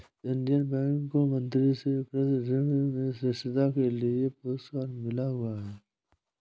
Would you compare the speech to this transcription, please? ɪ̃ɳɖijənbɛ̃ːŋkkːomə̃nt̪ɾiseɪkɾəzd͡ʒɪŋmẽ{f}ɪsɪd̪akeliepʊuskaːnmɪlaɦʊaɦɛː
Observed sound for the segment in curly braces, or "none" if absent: s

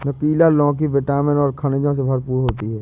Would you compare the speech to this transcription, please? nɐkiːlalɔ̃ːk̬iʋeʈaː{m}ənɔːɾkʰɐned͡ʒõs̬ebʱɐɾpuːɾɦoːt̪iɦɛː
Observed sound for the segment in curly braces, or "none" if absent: m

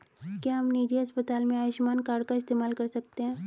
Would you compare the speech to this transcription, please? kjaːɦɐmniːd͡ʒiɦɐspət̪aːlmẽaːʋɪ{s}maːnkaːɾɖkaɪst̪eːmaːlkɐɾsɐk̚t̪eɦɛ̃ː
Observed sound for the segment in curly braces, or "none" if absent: ʃ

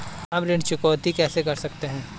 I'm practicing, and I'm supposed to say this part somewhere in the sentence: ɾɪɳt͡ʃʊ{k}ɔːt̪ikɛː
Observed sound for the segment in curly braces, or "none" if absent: k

